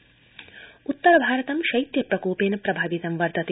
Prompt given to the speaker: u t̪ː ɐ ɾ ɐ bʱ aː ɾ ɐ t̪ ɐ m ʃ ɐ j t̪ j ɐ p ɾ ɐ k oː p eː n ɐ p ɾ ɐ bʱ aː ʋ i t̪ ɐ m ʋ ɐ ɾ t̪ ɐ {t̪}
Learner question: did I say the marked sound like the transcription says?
yes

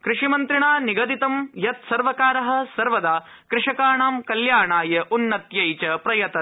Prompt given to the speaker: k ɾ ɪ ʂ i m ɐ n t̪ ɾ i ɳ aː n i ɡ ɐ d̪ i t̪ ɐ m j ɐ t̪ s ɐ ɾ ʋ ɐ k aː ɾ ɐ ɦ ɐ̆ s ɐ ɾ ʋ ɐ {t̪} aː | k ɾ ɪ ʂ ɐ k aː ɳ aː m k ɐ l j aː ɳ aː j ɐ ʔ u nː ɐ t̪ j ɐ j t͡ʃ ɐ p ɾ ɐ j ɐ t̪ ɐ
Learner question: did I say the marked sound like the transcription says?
no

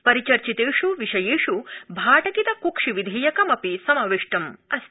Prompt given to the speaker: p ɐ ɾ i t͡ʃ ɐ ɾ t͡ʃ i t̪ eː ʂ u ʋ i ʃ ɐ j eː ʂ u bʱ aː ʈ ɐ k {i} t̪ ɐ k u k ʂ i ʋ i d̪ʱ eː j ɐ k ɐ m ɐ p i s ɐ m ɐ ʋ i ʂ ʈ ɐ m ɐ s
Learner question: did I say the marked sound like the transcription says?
yes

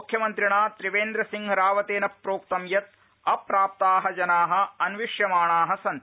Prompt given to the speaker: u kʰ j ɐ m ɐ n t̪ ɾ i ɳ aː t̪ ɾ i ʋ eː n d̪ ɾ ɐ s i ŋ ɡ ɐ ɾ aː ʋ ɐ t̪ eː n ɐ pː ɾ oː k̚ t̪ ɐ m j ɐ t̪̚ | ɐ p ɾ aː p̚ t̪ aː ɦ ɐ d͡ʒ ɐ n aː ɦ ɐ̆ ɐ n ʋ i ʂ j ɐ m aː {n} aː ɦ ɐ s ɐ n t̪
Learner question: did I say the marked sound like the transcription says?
no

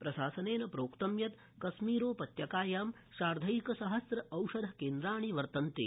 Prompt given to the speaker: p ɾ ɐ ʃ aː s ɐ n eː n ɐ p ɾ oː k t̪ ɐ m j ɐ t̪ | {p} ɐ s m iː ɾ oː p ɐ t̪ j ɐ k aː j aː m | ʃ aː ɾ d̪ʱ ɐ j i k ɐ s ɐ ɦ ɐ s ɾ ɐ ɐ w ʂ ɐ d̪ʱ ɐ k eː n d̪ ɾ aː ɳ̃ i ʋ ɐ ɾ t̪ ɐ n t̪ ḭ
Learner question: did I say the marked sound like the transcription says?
no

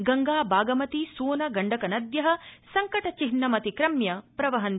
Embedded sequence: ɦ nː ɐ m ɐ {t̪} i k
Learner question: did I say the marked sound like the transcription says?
yes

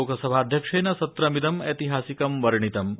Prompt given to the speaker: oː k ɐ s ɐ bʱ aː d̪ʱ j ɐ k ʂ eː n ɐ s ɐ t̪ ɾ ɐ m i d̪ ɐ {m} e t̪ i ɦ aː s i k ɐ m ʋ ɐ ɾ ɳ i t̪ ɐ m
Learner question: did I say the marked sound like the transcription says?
yes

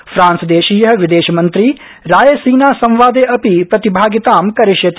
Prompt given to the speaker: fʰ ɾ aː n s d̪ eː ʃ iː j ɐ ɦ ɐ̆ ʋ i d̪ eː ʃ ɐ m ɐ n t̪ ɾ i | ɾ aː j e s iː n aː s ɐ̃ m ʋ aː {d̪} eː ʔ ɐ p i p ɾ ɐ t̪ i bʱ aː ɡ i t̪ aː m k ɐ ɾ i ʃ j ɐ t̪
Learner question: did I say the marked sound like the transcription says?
yes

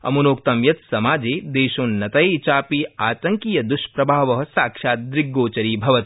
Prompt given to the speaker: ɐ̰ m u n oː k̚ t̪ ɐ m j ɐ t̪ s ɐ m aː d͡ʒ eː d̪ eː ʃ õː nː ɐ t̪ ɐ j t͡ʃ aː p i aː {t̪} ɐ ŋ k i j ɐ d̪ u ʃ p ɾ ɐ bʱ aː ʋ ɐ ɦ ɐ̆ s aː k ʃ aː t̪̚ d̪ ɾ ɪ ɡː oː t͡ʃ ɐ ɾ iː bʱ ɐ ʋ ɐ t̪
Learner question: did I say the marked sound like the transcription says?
yes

